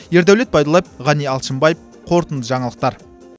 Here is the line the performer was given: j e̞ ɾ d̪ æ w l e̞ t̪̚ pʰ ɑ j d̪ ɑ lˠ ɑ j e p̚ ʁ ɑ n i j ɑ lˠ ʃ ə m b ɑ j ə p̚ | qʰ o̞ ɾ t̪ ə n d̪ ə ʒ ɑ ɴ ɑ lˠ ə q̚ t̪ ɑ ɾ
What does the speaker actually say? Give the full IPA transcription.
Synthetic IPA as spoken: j e̞ ɾ d̪ æ w l e̞ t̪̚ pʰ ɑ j d̪ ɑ lˠ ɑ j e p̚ ʁ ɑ n i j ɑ lˠ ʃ ə m b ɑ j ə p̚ | qʰ o̞ ɾ t̪ ə n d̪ ə ʒ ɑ ɴ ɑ lˠ ə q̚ t̪ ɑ ɾ

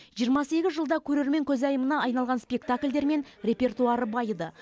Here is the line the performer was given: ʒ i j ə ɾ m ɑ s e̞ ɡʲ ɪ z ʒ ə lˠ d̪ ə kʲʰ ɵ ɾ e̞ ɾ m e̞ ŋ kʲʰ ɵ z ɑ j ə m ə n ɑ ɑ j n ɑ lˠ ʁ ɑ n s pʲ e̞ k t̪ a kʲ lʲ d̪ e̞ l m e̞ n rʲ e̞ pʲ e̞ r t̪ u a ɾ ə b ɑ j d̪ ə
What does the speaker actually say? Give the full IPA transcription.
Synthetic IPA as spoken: ʒ i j ə ɾ m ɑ s e̞ ɡʲ ɪ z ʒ ə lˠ d̪ ɑ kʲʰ ɵ ɾ e̞ ɾ m e̞ ŋ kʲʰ ɵ z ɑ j ə m ə n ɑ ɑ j n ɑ lˠ ʁ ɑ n s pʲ e̞ k t̪ a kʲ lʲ d̪ e̞ ɾ m e̞ n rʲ e̞ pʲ e̞ r t̪ u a ɾ ə b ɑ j d̪ ə

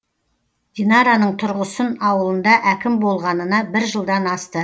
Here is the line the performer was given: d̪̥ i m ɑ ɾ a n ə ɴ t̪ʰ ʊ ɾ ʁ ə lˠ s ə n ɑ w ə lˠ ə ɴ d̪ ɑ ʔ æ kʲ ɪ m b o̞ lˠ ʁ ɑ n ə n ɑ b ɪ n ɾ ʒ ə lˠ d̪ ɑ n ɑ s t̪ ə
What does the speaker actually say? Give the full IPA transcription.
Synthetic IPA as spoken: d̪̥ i n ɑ ɾ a n ə ɴ t̪ʰ ʊ ɾ ʁ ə s ə n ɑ w ə lˠ ə n d̪ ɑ ʔ æ kʲ ɪ m b o̞ lˠ ʁ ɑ n ə n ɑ b ɪ ɾ ʒ ə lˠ d̪ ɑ n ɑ s t̪ ə

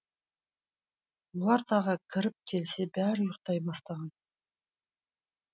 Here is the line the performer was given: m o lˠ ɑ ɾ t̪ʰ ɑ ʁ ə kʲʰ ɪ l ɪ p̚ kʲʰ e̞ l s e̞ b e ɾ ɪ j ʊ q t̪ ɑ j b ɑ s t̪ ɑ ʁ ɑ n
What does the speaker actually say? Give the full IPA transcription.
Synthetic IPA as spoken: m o lˠ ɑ ɾ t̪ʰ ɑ ʁ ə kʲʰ ɪ ɾ ɪ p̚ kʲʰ e̞ l s e̞ b æ ɾ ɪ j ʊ q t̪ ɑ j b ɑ s t̪ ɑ ʁ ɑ n

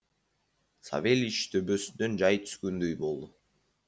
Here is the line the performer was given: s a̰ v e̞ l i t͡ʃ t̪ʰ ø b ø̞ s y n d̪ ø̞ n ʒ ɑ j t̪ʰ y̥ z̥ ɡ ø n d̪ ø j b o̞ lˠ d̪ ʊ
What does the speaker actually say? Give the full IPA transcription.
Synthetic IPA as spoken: s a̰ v e̞ l i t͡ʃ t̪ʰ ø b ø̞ s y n d̪ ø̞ n d͡ʒ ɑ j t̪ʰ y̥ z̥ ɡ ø n d̪ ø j b o̞ lˠ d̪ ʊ

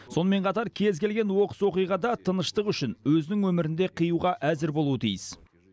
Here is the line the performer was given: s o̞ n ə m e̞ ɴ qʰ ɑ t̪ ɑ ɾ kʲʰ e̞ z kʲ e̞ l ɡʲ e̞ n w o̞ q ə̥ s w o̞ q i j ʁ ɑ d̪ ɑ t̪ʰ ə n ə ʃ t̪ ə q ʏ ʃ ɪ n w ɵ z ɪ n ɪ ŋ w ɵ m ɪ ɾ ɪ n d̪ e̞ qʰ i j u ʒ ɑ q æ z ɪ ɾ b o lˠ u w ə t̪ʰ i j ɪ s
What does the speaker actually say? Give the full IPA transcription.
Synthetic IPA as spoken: s o̞ n ə m e̞ ɴ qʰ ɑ t̪ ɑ ɾ kʲʰ e̞ z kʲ e̞ l ɡʲ e̞ n w o̞ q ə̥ s w o̞ q i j ʁ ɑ d̪ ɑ t̪ʰ ə n ə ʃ t̪ ə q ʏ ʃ ɪ n w ɵ z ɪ n ɪ ŋ w ɵ m ɪ ɾ ɪ n d̪ e̞ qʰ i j u ʁ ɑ ʔ æ z ɪ ɾ b o lˠ u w ə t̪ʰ i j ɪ s

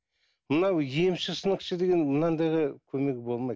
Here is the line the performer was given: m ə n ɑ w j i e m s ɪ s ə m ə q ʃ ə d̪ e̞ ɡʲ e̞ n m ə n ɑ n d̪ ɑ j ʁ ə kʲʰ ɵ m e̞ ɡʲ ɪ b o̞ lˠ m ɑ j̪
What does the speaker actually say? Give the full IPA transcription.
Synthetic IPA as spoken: m ə n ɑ w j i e m ʃ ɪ s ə n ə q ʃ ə d̪ e̞ ɡʲ e̞ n m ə n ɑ n d̪ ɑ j ʁ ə kʲʰ ɵ m e̞ ɡʲ ɪ b o̞ lˠ m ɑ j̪

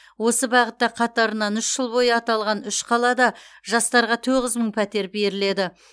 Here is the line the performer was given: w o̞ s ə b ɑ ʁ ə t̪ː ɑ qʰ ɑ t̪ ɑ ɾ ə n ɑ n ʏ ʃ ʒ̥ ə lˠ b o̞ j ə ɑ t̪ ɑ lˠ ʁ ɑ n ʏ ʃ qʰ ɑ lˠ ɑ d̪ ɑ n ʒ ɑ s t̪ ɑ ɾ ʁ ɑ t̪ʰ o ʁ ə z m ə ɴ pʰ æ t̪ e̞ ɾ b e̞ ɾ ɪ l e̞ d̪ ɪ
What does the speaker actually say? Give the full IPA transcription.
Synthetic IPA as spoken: w o̞ s ə b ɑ ʁ ə t̪ː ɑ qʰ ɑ t̪ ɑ ɾ ə n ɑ n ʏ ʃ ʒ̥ ə lˠ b o̞ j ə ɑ t̪ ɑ lˠ ʁ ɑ n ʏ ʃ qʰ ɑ lˠ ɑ d̪ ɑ ʒ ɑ s t̪ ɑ ɾ ʁ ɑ t̪ʰ o ʁ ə z m ə ɴ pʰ æ t̪ e̞ ɾ b e̞ ɾ ɪ l e̞ d̪ ɪ

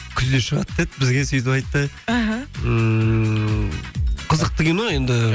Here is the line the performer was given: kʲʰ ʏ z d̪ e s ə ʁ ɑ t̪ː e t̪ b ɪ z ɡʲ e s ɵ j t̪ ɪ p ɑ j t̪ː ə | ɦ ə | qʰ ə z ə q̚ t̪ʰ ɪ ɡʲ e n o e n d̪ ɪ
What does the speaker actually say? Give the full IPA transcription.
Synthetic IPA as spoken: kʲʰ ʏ z d̪ e ʃ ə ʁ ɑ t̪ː e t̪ b ɪ z ɡʲ e s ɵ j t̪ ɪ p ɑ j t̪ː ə | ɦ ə | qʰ ə z ə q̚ t̪ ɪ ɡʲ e n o e n d̪ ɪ

